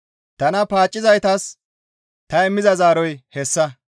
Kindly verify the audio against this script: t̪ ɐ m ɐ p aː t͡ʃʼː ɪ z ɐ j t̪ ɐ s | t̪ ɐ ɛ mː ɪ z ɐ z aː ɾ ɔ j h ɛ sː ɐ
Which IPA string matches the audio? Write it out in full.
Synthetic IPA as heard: t̪ ɐ n ɐ p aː t͡ʃʼː ɪ z ɐ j t̪ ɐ s | t̪ ɐ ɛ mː ɪ z ɐ z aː ɾ ɔ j h ɛ sː ɐ